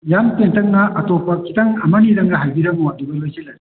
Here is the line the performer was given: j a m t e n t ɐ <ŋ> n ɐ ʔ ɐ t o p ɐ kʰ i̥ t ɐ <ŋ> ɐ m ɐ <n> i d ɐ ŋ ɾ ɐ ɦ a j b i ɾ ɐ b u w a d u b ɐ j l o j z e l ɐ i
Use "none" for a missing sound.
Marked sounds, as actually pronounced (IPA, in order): ŋ, ŋ, n

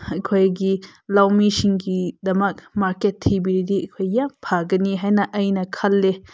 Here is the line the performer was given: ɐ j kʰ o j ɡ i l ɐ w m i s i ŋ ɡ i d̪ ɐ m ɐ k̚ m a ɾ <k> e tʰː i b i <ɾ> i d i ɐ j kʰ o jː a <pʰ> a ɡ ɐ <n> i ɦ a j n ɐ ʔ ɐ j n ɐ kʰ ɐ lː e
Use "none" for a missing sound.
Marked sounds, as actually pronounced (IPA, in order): k, ɾ, pʰ, n

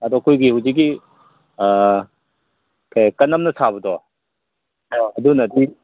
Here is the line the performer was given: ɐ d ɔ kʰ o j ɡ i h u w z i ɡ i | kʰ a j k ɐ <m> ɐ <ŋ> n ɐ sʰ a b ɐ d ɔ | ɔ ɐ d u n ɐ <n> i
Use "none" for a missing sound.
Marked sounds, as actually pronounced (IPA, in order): n, m, d

